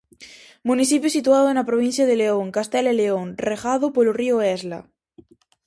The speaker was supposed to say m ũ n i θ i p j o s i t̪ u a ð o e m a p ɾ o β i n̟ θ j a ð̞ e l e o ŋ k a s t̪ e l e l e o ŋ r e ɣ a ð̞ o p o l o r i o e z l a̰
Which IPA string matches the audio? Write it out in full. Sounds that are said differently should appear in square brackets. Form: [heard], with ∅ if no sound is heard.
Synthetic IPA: m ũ n i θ i p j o s i t̪ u a ð o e [n] a p ɾ o β i n̟ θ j a ð̞ e l e o ŋ k a s t̪ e l e l e o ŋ r e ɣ a ð̞ o p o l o r i o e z l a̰

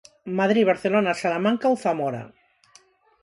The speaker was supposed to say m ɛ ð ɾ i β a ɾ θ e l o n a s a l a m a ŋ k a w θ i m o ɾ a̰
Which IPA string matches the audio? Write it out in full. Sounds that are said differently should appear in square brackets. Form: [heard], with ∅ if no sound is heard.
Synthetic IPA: m [a] ð ɾ i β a ɾ θ e l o n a s a l a m a ŋ k a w θ [a] m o ɾ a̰

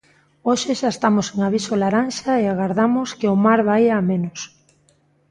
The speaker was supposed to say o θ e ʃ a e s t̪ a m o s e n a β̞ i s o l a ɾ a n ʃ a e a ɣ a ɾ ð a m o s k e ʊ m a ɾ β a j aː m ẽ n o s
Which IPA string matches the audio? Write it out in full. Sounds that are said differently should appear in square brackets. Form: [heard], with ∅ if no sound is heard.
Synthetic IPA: o [ʃ] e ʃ a e s t̪ a m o s e [ŋ] a β̞ i s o l a ɾ a n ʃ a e a ɣ a ɾ ð a m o s k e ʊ m a ɾ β a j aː m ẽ n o s

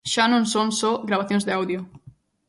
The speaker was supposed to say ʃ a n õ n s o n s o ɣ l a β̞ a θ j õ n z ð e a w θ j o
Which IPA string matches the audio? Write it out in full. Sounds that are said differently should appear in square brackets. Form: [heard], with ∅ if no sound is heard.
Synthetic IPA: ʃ a n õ n s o n s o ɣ [ɾ] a β̞ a θ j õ n z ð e a w [ð] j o

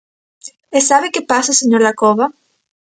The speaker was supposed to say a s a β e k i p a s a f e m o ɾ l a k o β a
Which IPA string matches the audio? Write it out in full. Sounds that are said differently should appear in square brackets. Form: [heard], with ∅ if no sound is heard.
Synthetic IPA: [e] s a β e k [e] p a s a [s] e [ɲ] o ɾ l a k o β a

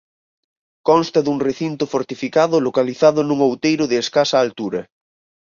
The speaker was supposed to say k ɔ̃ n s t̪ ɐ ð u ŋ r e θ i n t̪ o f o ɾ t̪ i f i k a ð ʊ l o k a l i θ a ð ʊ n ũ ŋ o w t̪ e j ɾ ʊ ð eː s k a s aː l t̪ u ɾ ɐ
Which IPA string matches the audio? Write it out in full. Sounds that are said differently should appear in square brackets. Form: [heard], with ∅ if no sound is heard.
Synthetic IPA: k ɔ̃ n s t̪ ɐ ð u ŋ r e θ i n t̪ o f o ɾ t̪ i f i k a ð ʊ l o k a l i θ a ð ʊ n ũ ŋ o w t̪ e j ɾ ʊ ð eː s k a s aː l t̪ u ɾ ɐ

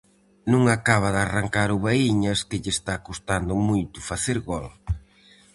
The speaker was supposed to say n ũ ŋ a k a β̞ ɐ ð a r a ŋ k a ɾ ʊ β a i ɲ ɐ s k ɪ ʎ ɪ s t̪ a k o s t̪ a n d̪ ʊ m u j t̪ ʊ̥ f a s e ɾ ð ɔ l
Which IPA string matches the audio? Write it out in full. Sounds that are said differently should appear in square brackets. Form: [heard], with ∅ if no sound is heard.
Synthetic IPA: n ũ ŋ a k a β̞ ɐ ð a r a ŋ k a ɾ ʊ β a i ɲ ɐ s k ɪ ʎ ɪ s t̪ a k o s t̪ a n d̪ ʊ m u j t̪ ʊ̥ f a [θ] e ɾ [ɣ] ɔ l

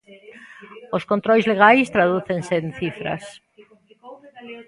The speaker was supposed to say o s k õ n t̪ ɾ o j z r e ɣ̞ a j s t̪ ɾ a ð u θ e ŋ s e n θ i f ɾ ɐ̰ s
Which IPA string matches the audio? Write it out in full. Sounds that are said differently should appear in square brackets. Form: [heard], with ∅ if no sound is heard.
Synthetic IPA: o s k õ n t̪ ɾ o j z [l] e ɣ̞ a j s t̪ ɾ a ð u θ e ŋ s e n θ i f ɾ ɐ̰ s

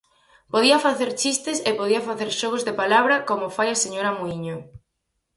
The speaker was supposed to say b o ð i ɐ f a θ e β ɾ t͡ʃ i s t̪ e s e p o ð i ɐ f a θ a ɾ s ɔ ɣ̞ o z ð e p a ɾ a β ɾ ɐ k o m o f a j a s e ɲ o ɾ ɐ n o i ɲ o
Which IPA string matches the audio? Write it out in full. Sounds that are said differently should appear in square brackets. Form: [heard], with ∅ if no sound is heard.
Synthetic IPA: [p] o ð i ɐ f a θ e [∅] ɾ t͡ʃ i s t̪ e s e p o ð i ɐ f a θ [e] ɾ [ʃ] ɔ ɣ̞ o z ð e p a [l] a β ɾ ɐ k o m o f a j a s e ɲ o ɾ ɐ [m] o i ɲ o

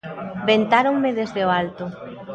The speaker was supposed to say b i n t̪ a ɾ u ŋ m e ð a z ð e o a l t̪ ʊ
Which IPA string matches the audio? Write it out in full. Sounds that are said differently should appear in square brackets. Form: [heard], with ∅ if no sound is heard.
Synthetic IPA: b [e] n t̪ a ɾ [o] ŋ m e ð [e] z ð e o a l t̪ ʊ

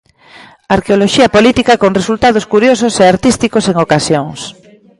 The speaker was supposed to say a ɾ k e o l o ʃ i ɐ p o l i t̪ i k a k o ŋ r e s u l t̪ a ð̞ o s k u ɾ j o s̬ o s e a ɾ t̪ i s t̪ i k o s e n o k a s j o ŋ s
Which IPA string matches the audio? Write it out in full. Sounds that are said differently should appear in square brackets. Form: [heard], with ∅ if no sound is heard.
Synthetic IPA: a ɾ k e o l o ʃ i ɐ p o l i t̪ i k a k o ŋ r e s u l t̪ a ð̞ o s k u ɾ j o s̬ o s e a ɾ t̪ i s t̪ i k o s e [ŋ] o k a s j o ŋ s

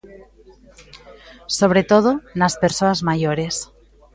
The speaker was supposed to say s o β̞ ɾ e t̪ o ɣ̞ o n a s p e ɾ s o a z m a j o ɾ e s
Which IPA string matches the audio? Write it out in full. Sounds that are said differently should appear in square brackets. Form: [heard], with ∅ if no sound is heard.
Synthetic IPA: s o β̞ ɾ e t̪ o [ð̞] o n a s p e ɾ s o a z m a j o ɾ e s

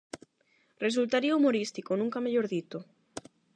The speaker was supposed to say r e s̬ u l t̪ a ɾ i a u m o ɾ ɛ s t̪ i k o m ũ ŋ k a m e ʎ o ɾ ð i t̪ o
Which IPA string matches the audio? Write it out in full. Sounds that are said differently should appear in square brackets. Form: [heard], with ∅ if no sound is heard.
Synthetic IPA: r e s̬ u l t̪ a ɾ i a u m o ɾ [i] s t̪ i k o [n] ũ ŋ k a m e ʎ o ɾ ð i t̪ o

